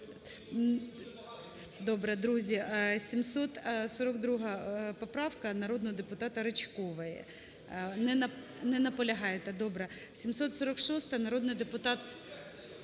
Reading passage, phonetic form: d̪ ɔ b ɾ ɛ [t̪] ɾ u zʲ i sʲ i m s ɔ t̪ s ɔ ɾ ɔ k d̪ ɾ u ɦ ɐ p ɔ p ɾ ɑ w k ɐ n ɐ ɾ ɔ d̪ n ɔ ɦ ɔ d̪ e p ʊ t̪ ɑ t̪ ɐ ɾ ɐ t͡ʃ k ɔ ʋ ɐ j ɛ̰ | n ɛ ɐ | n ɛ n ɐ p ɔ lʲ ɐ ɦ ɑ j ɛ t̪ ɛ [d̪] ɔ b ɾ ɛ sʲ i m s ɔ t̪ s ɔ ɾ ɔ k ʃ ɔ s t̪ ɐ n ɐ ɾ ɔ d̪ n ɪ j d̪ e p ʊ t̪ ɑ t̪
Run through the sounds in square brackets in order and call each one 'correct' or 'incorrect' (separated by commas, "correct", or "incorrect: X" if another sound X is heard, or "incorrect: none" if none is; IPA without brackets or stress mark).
incorrect: d̪, correct